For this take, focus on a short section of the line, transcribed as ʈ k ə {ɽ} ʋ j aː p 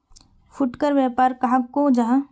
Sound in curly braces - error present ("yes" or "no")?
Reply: yes